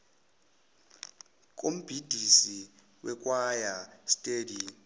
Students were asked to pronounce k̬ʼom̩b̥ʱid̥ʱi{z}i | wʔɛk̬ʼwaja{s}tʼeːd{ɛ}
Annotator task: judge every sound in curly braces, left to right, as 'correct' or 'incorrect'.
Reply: incorrect, correct, incorrect

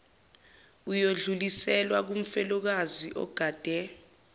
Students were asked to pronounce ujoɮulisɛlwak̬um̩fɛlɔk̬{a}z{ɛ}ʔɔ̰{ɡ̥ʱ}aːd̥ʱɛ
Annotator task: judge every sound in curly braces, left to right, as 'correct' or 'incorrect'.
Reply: correct, incorrect, correct

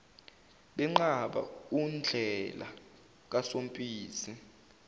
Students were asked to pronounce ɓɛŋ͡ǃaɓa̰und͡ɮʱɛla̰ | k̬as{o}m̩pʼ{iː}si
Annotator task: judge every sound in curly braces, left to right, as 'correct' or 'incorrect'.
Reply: correct, correct

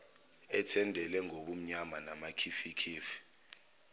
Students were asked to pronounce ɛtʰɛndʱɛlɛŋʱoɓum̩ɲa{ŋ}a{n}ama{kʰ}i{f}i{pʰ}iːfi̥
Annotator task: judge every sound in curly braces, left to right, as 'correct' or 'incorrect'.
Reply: incorrect, correct, correct, correct, incorrect

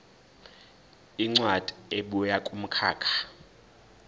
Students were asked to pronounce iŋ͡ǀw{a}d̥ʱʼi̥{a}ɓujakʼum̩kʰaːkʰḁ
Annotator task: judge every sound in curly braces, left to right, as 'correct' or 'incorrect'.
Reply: correct, incorrect

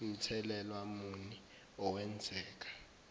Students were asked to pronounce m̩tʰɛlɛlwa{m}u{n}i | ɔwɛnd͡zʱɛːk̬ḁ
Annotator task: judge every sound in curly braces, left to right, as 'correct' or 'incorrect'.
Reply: correct, correct

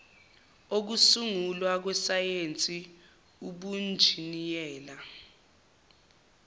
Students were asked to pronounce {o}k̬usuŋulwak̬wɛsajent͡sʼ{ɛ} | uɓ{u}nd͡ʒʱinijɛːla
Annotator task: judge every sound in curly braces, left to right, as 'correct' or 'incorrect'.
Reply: correct, incorrect, correct

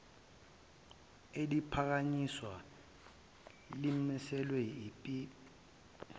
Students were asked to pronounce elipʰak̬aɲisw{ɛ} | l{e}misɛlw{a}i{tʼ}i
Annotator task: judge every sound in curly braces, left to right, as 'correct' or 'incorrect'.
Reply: incorrect, incorrect, incorrect, incorrect

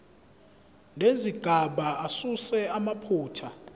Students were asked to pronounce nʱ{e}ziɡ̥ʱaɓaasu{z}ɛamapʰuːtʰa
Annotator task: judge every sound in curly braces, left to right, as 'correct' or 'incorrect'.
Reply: correct, incorrect

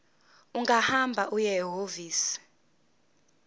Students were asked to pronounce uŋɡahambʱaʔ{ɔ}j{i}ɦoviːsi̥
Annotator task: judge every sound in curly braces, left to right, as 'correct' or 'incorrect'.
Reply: incorrect, incorrect

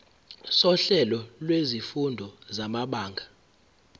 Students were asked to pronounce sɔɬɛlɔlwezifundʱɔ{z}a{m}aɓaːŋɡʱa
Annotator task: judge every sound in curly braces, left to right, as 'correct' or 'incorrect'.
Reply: correct, correct

